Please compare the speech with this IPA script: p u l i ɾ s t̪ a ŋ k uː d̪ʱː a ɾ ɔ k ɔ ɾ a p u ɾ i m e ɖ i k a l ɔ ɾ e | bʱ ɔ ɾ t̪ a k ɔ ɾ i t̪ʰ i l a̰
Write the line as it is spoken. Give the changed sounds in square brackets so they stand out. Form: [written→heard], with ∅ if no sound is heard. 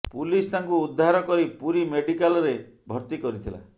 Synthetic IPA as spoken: p u l i [ɾ→∅] s t̪ a ŋ k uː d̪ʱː a ɾ ɔ k ɔ ɾ [a→i] p u ɾ i m e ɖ i k a l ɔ ɾ e | bʱ ɔ ɾ t̪ [a→i] k ɔ ɾ i t̪ʰ i l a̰